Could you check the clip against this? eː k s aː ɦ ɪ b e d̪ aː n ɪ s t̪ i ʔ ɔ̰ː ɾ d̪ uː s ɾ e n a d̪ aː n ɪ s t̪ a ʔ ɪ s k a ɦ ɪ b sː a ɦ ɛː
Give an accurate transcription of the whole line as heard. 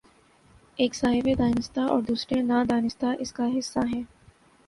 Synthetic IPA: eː k s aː ɦ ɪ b e d̪ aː n ɪ s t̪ a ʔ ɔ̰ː ɾ d̪ uː s ɾ e n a d̪ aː n ɪ s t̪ a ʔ ɪ s k a ɦ ɪ sː a ɦ ɛː